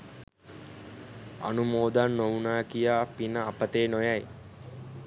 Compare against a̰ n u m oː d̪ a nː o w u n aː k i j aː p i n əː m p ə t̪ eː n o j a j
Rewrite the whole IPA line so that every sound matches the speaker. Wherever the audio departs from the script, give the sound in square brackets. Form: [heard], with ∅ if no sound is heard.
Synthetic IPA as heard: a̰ n u m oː d̪ a nː o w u n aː k i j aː p i n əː [∅] p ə t̪ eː n o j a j